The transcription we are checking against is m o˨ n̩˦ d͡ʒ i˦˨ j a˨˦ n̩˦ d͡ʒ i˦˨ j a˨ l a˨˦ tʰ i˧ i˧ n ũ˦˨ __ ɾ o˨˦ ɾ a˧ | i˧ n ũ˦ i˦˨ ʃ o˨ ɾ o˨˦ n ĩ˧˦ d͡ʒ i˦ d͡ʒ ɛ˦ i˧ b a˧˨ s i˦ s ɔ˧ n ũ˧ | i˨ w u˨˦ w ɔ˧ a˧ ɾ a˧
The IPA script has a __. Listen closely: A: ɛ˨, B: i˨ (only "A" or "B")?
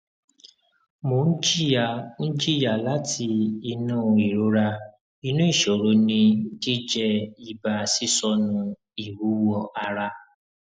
B